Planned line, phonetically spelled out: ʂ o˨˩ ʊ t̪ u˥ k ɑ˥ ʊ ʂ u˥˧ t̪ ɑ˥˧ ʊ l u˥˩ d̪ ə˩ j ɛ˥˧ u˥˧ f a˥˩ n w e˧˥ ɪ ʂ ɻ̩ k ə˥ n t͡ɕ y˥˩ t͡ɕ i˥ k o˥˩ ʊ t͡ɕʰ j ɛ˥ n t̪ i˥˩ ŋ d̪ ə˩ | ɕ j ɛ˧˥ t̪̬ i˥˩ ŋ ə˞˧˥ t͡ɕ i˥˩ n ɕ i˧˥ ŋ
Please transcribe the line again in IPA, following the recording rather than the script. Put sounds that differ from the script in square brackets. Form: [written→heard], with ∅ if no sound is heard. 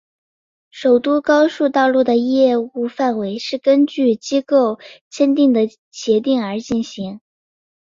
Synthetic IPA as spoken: ʂ o˨˩ ʊ t̪ u˥ k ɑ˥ ʊ ʂ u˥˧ t̪ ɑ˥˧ ʊ l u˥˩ d̪ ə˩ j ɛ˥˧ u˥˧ f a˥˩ n w e˧˥ ɪ ʂ ɻ̩ k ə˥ n t͡ɕ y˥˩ t͡ɕ i˥ k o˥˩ ʊ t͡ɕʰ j ɛ˥ n t̪ i˥˩ ŋ d̪ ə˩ | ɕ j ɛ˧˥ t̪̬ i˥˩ ŋ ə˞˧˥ t͡ɕ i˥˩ n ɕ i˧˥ ŋ